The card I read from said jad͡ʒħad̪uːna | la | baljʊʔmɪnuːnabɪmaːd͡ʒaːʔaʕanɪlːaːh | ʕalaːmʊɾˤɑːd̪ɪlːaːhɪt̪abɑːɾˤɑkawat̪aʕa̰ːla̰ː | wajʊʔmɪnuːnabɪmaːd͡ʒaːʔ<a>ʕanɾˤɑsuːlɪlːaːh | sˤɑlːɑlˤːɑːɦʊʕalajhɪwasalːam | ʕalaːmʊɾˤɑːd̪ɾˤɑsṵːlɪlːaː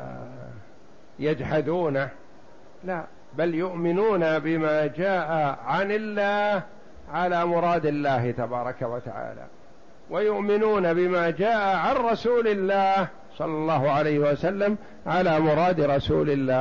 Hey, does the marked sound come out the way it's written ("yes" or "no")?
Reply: yes